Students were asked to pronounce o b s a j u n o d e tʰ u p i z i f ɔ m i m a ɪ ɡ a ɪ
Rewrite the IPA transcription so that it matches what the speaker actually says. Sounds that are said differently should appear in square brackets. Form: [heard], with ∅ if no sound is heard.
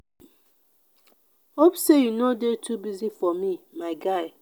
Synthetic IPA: o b s [e] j u n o d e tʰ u [b] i z i f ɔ m i m a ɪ ɡ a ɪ